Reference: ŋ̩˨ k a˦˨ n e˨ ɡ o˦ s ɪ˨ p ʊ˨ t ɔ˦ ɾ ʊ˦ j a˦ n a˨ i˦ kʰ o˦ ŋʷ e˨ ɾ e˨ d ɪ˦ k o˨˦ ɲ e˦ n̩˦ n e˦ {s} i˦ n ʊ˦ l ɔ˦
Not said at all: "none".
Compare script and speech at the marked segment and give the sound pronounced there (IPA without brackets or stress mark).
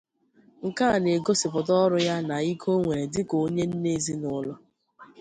z